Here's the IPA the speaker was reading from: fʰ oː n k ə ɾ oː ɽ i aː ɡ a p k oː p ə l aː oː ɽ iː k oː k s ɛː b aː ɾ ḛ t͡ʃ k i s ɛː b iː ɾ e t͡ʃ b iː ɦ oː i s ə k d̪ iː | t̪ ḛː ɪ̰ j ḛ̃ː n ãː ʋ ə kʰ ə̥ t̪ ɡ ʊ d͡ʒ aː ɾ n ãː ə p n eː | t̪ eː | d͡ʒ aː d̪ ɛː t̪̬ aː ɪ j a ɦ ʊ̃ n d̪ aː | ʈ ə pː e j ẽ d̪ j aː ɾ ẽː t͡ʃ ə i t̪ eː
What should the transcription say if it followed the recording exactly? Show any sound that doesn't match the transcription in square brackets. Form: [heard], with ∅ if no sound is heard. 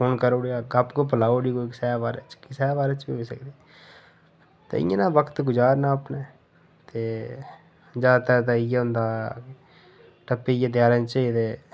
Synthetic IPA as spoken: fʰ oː n k ə ɾ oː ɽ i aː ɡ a p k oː p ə l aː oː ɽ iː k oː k s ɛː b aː ɾ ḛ t͡ʃ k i s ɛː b [aː] ɾ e t͡ʃ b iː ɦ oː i s ə k d̪ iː | t̪ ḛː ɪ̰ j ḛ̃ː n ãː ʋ ə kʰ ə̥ t̪ ɡ ʊ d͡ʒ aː ɾ n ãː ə p n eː | t̪ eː | d͡ʒ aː [t̪] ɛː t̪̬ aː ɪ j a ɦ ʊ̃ n d̪ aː | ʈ ə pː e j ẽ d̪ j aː ɾ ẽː t͡ʃ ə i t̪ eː